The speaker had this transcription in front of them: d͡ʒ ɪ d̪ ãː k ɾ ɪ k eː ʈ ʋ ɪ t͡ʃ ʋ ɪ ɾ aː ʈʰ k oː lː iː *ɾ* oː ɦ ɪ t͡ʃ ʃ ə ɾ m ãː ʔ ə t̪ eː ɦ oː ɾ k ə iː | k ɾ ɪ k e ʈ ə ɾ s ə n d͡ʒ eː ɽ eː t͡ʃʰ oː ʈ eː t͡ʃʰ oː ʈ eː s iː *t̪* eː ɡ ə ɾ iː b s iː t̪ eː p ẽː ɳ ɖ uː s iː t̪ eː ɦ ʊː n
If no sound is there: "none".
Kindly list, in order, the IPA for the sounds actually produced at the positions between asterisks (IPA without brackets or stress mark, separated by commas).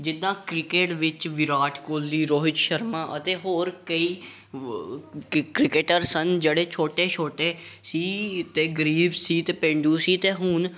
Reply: ɾ, t̪